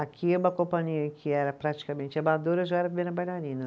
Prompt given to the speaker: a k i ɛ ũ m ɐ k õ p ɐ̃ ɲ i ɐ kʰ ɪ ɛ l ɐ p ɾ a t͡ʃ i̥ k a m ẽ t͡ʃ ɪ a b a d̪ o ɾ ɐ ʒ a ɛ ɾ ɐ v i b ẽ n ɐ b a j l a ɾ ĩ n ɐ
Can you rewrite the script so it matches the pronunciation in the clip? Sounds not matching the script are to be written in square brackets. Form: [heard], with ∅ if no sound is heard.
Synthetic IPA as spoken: a k i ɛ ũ m ɐ k õ p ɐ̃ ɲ i ɐ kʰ ɪ ɛ [ɾ] ɐ p ɾ a t͡ʃ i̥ k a m ẽ t͡ʃ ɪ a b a d̪ o ɾ ɐ ʒ a ɛ ɾ ɐ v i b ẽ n ɐ b a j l a ɾ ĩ n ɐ